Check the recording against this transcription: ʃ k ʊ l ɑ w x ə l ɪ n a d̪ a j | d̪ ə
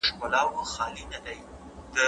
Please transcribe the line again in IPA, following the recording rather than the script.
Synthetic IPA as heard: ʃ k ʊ l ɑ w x ɑ l i n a d̪ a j | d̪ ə